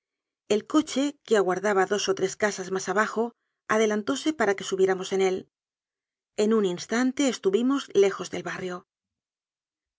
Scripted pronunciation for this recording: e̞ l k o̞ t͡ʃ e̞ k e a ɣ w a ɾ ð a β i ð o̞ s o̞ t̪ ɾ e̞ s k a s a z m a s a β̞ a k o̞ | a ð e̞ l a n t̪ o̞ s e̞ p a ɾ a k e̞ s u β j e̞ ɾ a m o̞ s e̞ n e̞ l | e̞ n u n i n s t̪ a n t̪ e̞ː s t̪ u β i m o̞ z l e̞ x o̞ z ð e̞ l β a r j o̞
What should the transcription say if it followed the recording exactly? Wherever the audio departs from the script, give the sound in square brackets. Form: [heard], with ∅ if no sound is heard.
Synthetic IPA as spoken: e̞ l k o̞ t͡ʃ e̞ k e a ɣ w a ɾ ð a β [a] ð o̞ s o̞ t̪ ɾ e̞ s k a s a z m a s a β̞ a [x] o̞ | a ð e̞ l a n t̪ o̞ s e̞ p a ɾ a k e̞ s u β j e̞ ɾ a m o̞ s e̞ n e̞ l | e̞ n u n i n s t̪ a n t̪ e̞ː s t̪ u β i m o̞ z l e̞ x o̞ z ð e̞ l β a r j o̞